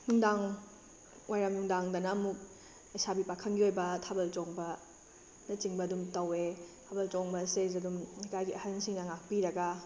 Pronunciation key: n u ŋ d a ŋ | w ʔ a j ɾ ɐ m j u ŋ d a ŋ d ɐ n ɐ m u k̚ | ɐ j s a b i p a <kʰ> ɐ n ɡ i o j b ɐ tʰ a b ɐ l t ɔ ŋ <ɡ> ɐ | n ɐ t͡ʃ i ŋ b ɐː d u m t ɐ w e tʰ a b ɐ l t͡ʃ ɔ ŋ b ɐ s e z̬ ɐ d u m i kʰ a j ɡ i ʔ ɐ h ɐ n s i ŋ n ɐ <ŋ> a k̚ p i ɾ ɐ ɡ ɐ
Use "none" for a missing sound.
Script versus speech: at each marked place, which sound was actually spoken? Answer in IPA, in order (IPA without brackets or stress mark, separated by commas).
kʰ, b, ŋ